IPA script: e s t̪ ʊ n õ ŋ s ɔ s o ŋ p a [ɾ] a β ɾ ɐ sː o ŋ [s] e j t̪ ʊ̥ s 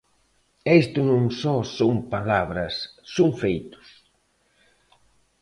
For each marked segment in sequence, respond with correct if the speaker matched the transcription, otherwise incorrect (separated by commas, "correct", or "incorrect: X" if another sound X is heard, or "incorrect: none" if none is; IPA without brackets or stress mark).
incorrect: l, incorrect: f